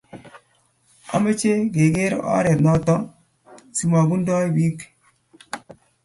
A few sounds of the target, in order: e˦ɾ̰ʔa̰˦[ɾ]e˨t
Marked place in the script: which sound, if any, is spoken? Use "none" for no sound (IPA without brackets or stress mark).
ɾ